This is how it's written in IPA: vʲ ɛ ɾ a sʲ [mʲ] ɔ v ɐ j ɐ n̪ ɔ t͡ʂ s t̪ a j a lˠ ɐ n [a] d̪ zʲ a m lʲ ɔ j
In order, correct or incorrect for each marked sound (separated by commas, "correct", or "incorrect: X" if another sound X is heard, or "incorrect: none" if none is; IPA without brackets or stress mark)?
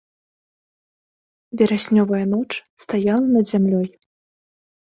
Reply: incorrect: nʲ, incorrect: ɐ